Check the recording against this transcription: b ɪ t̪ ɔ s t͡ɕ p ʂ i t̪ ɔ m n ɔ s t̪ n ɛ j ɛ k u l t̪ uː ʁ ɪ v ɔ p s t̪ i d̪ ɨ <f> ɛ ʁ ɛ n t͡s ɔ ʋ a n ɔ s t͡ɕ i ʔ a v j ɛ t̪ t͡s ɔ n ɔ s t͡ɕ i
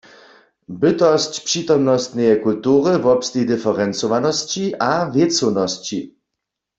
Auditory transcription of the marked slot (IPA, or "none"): f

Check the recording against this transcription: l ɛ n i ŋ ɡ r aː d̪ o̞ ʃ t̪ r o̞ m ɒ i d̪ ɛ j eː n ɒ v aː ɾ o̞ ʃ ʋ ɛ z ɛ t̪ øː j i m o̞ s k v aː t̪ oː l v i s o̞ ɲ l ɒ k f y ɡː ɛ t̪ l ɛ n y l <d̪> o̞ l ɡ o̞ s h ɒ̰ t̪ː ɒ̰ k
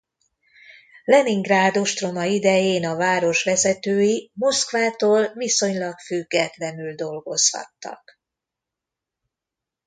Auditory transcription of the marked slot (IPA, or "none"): d̪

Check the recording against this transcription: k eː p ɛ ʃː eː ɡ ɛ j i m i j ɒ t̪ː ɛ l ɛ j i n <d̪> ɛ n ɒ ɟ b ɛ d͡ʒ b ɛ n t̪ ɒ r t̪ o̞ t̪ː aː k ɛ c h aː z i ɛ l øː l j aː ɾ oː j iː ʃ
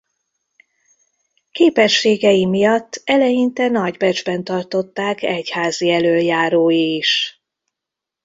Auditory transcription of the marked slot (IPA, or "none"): t̪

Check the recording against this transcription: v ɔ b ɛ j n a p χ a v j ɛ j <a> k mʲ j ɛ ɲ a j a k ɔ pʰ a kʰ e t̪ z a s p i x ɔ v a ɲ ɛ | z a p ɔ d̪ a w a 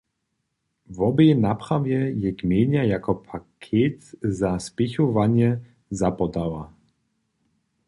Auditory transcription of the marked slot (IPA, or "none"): ɛ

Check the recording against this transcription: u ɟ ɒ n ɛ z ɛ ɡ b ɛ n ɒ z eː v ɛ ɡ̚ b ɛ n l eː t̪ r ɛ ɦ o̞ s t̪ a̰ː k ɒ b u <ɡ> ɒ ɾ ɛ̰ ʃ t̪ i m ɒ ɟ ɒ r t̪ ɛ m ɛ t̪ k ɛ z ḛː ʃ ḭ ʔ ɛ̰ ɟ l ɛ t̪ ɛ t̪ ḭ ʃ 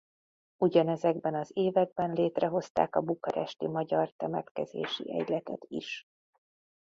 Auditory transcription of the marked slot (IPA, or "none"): k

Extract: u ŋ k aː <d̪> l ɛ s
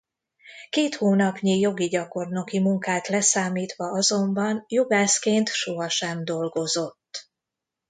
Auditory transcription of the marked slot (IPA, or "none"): t̪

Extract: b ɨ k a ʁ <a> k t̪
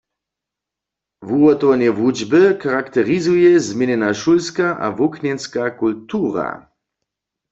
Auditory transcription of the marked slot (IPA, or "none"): a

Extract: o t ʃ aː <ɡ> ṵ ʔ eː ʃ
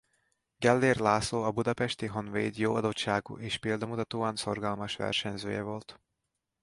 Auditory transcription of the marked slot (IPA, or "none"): ɡ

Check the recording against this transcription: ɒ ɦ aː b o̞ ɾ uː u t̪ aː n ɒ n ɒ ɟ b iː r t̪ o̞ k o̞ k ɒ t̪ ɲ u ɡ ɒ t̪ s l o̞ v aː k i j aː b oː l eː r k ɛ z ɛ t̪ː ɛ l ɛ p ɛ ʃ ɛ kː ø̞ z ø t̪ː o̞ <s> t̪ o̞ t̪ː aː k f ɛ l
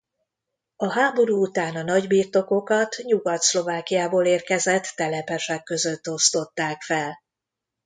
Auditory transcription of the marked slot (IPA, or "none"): s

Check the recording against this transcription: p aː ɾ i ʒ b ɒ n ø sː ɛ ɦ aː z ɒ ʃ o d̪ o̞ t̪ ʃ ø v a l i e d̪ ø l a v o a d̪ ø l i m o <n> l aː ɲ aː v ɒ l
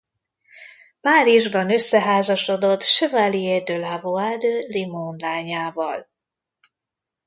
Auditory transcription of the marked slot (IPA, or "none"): n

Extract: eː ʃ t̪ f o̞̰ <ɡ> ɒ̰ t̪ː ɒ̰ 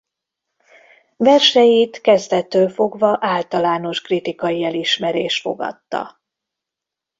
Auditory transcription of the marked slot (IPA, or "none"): ɡ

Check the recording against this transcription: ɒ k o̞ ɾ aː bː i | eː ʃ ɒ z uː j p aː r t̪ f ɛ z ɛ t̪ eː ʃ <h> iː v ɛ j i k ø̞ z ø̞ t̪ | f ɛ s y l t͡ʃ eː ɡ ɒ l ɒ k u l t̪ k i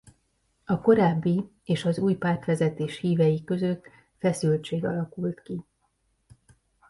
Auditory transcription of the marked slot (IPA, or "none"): h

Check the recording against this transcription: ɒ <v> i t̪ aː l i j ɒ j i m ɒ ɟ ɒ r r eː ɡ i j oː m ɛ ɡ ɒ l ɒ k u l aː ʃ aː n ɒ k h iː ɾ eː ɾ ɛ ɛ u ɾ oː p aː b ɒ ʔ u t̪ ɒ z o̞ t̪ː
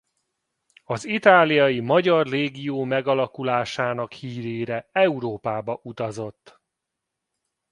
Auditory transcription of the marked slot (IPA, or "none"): z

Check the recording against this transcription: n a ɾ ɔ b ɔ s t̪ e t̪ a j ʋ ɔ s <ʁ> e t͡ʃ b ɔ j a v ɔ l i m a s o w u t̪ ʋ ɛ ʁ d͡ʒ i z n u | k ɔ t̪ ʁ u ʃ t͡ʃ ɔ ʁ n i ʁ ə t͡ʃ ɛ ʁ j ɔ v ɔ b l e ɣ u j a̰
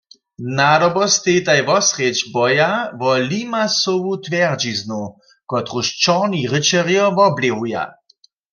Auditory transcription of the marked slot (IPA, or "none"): ʁ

